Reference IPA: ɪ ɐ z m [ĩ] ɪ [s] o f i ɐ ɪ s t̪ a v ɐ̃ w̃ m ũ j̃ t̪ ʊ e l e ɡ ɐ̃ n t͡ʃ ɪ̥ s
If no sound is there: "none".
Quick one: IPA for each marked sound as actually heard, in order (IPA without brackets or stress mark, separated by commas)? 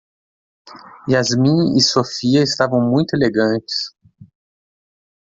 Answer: ĩ, s